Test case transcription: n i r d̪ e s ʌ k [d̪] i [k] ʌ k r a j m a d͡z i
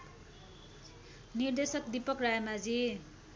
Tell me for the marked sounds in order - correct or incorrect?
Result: correct, incorrect: p

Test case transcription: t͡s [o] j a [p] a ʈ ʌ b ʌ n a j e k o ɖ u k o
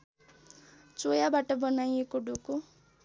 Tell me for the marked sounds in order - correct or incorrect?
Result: correct, incorrect: b

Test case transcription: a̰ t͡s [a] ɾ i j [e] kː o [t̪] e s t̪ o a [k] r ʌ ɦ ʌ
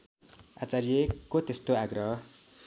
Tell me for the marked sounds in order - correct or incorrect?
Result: correct, correct, correct, incorrect: ɡ

